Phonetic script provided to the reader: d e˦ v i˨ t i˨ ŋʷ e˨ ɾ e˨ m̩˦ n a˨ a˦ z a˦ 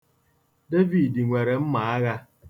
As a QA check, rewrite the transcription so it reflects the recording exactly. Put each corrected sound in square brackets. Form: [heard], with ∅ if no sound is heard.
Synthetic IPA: d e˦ v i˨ [d] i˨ ŋʷ e˨ ɾ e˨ m̩˦ [m] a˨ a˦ [ɣ] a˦